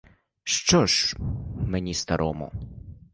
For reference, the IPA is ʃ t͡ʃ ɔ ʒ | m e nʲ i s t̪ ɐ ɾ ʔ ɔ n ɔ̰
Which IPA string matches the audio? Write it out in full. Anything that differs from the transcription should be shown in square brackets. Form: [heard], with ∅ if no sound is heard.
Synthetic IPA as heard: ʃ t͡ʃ ɔ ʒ | m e nʲ i s t̪ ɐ ɾ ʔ ɔ [m] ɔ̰